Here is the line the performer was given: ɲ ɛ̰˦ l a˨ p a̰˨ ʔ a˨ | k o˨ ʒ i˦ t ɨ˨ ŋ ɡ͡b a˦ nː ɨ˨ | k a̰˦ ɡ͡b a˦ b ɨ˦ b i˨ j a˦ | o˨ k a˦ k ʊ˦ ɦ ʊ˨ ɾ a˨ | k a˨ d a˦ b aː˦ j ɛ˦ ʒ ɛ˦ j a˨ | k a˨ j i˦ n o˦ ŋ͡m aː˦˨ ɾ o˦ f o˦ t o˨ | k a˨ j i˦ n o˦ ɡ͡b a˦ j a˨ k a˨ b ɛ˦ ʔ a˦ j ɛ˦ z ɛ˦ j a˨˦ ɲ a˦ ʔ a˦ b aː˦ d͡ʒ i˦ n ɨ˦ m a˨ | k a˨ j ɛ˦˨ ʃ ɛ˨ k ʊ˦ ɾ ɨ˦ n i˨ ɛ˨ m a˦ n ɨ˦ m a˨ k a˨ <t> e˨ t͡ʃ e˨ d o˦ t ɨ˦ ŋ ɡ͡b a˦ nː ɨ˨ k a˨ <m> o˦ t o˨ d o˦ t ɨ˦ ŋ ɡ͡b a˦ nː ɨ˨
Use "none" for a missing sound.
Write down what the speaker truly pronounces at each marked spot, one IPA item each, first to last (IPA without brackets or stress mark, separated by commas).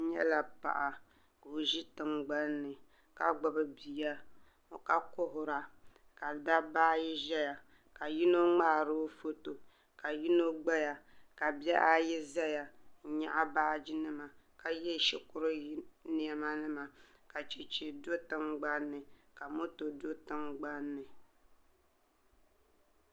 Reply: t͡ʃ, m